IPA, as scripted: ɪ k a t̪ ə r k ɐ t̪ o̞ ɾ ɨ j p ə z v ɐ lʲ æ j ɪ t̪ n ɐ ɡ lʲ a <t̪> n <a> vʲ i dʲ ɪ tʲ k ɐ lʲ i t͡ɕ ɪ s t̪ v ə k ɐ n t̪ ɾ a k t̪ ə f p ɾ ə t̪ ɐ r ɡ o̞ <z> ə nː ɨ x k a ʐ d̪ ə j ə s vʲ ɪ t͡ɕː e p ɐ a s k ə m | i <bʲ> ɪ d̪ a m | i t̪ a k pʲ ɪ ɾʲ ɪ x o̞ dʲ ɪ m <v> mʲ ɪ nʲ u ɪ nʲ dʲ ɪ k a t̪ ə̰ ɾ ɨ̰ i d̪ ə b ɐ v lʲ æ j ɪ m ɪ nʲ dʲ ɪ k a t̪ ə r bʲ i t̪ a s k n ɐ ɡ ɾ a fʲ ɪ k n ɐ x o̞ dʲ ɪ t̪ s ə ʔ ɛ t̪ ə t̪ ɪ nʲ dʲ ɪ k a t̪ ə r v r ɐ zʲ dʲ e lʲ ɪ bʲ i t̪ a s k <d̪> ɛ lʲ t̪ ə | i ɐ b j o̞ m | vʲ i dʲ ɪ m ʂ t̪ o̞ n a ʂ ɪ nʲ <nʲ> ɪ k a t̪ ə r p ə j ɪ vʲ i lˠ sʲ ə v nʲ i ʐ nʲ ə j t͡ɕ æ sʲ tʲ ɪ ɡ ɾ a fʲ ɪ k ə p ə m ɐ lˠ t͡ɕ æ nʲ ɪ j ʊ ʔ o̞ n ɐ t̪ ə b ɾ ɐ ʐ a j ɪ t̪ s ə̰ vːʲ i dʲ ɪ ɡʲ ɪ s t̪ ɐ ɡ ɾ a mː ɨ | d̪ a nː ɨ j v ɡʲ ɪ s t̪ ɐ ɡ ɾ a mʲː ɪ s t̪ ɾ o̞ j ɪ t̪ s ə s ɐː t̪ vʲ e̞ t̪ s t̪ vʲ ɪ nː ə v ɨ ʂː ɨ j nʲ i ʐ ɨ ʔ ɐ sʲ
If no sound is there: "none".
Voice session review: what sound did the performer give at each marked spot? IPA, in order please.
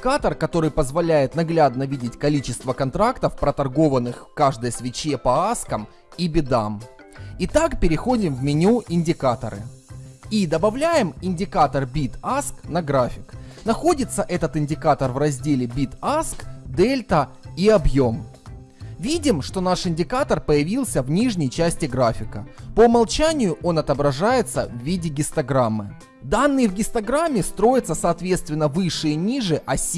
d̪, ə, v, bʲ, v, d̪, dʲ

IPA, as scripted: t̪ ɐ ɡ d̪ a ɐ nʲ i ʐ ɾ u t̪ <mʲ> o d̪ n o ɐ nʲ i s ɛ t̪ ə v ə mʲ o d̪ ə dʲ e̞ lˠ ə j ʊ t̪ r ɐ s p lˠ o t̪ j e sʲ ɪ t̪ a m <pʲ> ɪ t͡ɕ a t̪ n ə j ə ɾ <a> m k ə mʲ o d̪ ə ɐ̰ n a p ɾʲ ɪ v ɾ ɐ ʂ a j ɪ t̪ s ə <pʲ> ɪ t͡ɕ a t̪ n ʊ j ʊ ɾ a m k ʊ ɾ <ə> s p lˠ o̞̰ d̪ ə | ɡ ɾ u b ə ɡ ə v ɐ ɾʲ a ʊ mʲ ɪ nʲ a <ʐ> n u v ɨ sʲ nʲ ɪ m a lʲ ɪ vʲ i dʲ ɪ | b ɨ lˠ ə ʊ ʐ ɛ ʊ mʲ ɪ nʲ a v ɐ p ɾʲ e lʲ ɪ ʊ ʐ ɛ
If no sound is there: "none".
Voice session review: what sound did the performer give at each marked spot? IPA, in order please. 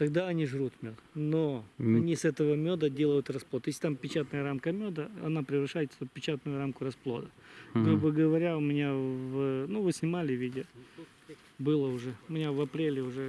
mʲ, pʲ, a, pʲ, ɐ, v

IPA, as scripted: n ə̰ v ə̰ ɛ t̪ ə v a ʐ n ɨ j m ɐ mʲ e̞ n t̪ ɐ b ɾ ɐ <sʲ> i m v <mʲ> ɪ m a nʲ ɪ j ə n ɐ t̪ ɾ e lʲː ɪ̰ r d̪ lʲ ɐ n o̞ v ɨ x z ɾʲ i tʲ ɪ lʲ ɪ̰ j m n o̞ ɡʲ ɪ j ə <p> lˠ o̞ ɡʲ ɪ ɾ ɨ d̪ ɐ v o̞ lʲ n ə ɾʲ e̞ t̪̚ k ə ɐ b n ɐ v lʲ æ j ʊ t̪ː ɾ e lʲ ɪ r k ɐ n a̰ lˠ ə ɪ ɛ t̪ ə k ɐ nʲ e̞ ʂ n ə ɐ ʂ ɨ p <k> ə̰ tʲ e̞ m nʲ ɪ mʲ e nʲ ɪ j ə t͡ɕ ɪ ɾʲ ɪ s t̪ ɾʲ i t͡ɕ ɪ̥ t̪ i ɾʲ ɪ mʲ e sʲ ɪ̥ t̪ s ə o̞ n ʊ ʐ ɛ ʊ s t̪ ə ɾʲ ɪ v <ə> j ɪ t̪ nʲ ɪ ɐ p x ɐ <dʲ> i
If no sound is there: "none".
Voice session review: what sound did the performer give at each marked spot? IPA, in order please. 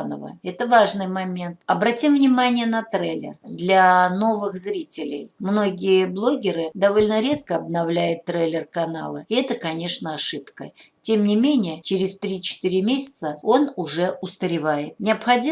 tʲ, nʲ, b, k, a, dʲ

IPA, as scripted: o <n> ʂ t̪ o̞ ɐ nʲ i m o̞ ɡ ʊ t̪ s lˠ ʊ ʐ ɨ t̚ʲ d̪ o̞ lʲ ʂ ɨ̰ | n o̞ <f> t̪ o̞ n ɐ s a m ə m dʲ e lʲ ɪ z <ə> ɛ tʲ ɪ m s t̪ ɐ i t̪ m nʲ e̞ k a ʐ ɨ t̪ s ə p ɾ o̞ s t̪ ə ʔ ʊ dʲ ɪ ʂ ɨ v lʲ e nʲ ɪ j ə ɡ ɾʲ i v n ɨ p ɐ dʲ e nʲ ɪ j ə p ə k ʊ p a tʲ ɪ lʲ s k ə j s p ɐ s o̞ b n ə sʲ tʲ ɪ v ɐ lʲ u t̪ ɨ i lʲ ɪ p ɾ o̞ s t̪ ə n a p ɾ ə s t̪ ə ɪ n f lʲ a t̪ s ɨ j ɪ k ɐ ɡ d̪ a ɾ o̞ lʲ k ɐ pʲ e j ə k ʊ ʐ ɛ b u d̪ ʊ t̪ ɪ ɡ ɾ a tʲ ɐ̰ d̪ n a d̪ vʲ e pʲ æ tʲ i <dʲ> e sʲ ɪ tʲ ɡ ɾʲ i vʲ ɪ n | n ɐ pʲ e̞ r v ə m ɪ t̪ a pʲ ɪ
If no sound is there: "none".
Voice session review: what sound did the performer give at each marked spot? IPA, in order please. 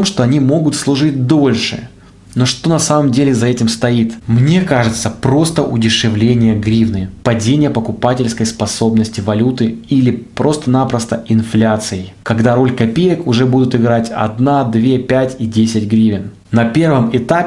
m, ʂ, ɐ, dʲ

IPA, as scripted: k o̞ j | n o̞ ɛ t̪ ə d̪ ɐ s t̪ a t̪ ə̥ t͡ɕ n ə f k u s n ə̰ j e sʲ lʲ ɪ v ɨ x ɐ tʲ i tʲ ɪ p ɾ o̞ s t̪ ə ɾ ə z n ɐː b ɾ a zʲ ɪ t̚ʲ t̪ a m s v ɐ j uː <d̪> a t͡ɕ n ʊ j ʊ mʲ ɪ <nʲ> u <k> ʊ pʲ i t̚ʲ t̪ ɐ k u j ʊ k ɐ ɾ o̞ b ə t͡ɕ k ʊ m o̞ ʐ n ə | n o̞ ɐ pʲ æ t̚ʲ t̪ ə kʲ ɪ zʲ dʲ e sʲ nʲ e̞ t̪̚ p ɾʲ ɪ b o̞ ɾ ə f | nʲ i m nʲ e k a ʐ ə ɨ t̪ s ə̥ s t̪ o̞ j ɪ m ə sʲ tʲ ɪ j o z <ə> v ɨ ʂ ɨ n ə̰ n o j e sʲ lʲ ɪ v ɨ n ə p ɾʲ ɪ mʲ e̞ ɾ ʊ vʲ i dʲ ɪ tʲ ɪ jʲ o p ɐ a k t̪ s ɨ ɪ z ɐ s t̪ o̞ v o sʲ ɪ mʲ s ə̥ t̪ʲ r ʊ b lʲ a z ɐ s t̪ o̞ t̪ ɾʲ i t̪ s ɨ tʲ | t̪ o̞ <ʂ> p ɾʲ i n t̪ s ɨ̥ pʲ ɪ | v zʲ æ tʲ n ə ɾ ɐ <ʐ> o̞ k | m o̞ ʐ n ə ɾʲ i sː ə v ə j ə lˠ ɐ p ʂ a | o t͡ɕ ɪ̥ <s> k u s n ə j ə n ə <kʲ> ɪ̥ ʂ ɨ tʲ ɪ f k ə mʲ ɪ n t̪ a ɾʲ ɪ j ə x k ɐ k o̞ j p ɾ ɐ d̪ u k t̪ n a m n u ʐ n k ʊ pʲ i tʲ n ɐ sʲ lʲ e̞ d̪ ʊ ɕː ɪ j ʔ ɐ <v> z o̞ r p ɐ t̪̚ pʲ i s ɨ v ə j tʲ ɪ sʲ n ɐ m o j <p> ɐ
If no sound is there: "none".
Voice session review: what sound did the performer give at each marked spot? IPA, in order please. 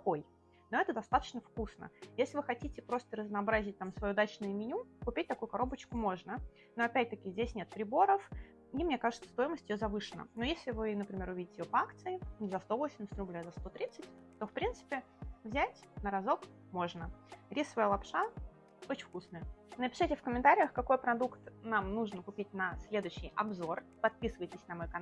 d̪, nʲ, k, ɐ, f, z, f, pʲ, b, k

